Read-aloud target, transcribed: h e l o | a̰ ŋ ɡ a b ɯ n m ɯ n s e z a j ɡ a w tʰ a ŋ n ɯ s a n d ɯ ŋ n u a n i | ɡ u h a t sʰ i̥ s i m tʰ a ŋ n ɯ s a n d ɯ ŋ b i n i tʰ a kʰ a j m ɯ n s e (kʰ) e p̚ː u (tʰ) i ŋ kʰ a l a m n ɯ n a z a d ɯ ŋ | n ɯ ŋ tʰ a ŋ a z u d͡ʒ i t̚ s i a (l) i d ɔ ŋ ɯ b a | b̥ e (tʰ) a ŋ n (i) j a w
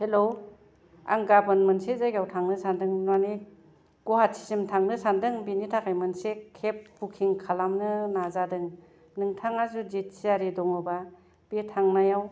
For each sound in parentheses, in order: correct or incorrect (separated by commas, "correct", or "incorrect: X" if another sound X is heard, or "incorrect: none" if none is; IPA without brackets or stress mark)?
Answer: correct, incorrect: kʰ, incorrect: ɾ, correct, incorrect: a